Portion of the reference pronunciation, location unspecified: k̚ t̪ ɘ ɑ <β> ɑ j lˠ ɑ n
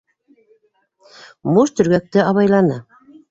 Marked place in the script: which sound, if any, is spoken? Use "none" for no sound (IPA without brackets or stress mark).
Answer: β